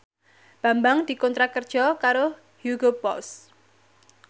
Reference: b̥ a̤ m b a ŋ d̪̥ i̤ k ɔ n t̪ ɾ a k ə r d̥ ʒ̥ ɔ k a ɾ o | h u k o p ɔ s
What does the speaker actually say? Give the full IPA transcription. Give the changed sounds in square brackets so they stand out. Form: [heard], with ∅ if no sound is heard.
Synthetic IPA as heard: b̥ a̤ m b a ŋ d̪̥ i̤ k ɔ n t̪ ɾ a k ə r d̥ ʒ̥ ɔ k a ɾ o | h u [ɡ] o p ɔ s

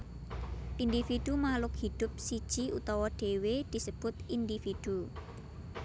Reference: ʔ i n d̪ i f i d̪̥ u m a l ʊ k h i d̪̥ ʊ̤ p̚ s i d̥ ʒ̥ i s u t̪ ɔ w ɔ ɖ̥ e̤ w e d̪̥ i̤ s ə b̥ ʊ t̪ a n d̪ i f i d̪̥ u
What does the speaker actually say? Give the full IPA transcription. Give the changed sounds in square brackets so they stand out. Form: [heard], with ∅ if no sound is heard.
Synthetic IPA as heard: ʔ i n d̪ i f i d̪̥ u m a l ʊ k h i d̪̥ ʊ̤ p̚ s i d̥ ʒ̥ i [∅] u t̪ ɔ w ɔ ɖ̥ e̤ w e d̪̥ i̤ s ə b̥ ʊ t̪ [i] n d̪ i f i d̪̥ u

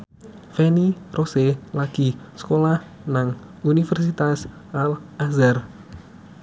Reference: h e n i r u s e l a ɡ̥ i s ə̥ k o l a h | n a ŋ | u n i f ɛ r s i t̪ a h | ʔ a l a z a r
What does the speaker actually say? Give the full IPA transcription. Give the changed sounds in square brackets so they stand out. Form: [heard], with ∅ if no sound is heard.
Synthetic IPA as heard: [f] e n i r [o] s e l a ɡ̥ i s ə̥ k o l a h | n a ŋ | u n i f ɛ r s i t̪ a [s] | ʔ a l a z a r

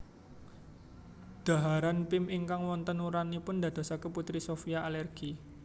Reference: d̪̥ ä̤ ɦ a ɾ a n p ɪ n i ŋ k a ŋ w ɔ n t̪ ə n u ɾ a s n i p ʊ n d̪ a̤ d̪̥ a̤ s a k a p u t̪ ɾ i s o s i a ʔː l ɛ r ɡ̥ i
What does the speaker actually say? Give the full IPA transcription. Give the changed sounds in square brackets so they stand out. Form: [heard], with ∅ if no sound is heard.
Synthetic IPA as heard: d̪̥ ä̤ ɦ a ɾ a n p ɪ [m] i ŋ k a ŋ w ɔ n t̪ ə n u ɾ a [∅] n i p ʊ n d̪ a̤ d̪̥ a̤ s a k [ə] p u t̪ ɾ i s o [f] i a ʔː l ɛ r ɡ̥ i

